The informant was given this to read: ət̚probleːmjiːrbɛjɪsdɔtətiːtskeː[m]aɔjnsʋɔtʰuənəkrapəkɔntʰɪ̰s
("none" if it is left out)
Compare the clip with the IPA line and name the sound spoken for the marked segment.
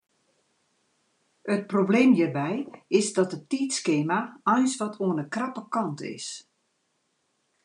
m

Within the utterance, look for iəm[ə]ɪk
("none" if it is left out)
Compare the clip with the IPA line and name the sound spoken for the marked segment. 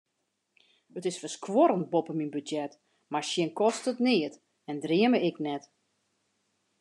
ə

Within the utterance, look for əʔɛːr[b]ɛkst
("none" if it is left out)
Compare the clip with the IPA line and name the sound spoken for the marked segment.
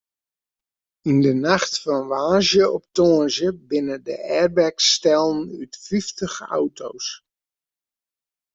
b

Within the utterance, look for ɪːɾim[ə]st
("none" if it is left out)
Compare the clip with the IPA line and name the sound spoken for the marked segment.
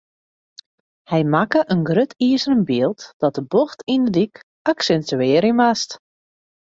a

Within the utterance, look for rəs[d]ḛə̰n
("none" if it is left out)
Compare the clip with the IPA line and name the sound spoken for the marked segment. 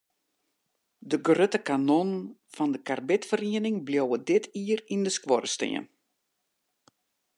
t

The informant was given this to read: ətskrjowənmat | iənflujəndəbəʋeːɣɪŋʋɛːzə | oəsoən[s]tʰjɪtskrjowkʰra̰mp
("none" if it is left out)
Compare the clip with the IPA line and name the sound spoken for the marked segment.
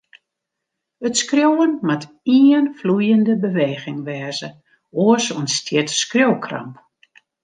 s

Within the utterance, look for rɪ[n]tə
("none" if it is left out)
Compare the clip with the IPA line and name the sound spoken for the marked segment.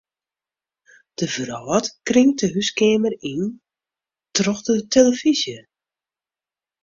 ŋ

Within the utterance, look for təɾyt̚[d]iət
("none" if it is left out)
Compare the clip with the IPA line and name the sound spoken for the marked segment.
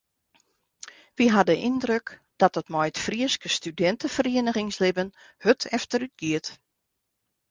ɡ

